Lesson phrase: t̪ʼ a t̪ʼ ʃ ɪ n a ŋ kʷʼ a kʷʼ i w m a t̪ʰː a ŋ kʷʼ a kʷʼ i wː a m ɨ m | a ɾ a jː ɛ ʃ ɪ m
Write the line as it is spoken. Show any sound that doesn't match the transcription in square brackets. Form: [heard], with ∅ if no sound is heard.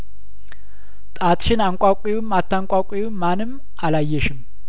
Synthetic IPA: t̪ʼ a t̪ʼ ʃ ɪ n a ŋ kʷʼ a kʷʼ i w m a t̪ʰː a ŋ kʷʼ a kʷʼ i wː a [n] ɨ m | a [l] a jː ɛ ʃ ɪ m